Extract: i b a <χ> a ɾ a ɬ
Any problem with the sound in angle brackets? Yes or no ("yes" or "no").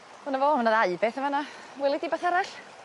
yes